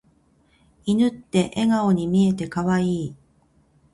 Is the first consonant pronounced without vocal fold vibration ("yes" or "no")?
no